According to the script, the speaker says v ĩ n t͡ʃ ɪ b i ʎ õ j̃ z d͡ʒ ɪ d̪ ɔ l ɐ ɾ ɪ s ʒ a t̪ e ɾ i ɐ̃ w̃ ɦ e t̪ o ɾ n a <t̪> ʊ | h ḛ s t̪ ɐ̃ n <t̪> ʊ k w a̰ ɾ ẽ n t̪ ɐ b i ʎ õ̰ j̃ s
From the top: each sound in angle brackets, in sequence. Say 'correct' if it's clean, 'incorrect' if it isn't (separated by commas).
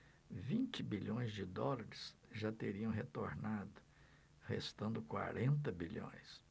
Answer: incorrect, incorrect